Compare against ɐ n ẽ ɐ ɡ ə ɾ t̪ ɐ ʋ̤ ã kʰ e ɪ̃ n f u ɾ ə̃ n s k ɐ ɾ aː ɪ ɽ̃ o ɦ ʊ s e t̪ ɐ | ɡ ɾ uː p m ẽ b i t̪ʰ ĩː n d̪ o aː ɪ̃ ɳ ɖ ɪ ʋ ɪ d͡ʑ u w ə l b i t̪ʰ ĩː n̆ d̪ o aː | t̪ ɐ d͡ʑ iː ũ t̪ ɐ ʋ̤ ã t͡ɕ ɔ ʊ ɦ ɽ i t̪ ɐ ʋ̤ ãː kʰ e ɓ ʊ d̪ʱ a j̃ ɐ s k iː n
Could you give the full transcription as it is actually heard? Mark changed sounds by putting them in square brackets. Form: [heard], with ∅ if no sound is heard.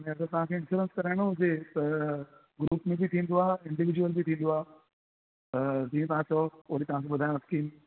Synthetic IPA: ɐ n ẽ ɐ ɡ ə ɾ t̪ ɐ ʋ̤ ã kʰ e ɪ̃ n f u ɾ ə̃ n s k ɐ ɾ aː ɪ ɽ̃ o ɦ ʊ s e t̪ ɐ | ɡ ɾ uː p m ẽ b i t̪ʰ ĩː n d̪ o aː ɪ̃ ɳ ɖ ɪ ʋ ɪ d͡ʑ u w ə l b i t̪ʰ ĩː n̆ d̪ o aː | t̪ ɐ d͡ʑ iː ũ t̪ ɐ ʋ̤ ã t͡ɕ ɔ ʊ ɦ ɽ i t̪ ɐ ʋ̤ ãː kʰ e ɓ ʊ d̪ʱ a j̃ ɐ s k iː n

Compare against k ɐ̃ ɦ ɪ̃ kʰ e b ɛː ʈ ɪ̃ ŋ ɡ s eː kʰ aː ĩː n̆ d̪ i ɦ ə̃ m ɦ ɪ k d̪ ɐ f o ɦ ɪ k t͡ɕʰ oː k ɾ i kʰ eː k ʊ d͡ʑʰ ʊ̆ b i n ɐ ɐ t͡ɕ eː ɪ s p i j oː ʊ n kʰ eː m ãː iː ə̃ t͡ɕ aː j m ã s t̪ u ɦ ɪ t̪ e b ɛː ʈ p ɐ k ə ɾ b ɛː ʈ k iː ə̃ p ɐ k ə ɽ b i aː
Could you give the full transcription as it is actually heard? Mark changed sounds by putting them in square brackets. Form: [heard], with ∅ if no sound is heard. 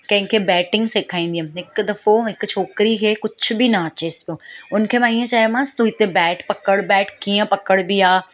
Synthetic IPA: k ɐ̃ ɦ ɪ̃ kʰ e b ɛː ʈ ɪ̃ ŋ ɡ s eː kʰ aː ĩː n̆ d̪ i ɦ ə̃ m ɦ ɪ k d̪ ɐ f o ɦ ɪ k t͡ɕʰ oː k ɾ i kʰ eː k ʊ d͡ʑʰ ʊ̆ b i n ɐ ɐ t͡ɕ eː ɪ s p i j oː ʊ n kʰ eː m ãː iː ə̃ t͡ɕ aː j m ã s t̪ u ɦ ɪ t̪ e b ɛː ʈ p ɐ k ə [ɽ] b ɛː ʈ k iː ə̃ p ɐ k ə ɽ b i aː

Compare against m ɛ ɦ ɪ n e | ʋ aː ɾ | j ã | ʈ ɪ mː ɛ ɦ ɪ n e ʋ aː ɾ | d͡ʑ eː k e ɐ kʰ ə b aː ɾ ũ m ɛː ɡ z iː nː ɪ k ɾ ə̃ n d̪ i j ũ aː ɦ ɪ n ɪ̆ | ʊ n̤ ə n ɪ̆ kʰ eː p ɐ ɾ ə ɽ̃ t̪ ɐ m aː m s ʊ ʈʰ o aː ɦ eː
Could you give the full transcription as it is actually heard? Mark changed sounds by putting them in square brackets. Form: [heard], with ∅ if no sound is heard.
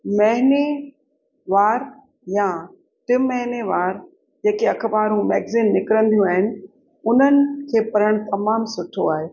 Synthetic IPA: m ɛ ɦ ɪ n e | ʋ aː ɾ | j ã | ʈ ɪ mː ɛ ɦ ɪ n e ʋ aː ɾ | d͡ʑ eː k e ɐ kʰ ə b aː ɾ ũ m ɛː ɡ z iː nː ɪ k ɾ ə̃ n d̪ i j ũ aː ɦ ɪ n ɪ̆ | ʊ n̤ ə n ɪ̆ kʰ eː p ɐ ɾ ə ɽ̃ t̪ ɐ m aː m s ʊ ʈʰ o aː ɦ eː

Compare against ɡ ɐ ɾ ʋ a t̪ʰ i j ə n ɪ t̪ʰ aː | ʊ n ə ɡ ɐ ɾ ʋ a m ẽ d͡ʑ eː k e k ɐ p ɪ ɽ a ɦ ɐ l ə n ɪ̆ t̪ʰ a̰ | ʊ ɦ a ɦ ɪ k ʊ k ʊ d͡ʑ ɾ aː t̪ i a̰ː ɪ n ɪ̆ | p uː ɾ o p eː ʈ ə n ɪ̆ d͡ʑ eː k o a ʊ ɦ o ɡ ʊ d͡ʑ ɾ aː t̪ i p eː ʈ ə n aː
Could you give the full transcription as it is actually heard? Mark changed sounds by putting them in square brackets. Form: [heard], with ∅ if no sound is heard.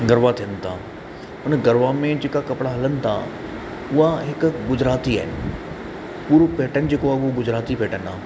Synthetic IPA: ɡ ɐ ɾ ʋ a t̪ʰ i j ə n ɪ t̪ʰ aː | ʊ n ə ɡ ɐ ɾ ʋ a m ẽ d͡ʑ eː k [a] k ɐ p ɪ ɽ a ɦ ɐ l ə n ɪ̆ t̪ʰ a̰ | ʊ ɦ a ɦ ɪ k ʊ [ɡ] ʊ d͡ʑ ɾ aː t̪ i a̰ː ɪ n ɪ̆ | p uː ɾ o p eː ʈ ə n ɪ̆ d͡ʑ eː k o a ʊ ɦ o ɡ ʊ d͡ʑ ɾ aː t̪ i p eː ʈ ə n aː

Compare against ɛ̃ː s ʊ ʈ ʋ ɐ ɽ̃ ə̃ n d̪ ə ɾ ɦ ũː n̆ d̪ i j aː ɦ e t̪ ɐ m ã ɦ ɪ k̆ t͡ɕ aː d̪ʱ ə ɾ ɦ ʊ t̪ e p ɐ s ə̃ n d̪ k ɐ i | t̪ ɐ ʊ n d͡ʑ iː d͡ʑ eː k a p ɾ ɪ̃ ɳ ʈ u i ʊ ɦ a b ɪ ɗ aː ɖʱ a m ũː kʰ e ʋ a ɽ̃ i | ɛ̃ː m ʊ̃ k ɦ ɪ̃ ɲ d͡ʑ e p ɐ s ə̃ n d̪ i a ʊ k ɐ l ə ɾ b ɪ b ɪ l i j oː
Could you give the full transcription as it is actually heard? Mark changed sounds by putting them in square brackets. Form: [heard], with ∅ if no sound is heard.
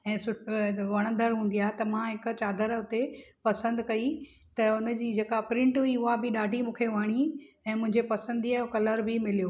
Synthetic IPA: ɛ̃ː s ʊ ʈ ʋ ɐ ɽ̃ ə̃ n d̪ ə ɾ ɦ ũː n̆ d̪ i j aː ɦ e t̪ ɐ m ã ɦ ɪ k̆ t͡ɕ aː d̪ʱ ə ɾ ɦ ʊ t̪ e p ɐ s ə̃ n d̪ k ɐ i | t̪ ɐ ʊ n d͡ʑ iː d͡ʑ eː k a p ɾ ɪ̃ ɳ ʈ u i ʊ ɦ a b ɪ ɗ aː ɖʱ [i] m ũː kʰ e ʋ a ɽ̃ i | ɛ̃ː m ʊ̃ [∅] ɦ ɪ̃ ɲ d͡ʑ e p ɐ s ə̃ n d̪ i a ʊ k ɐ l ə ɾ b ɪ [m] ɪ l i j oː

